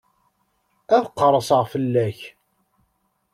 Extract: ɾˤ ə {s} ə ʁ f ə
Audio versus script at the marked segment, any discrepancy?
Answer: no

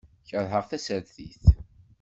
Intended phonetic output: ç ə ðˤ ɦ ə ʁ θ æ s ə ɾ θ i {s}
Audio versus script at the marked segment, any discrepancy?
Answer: yes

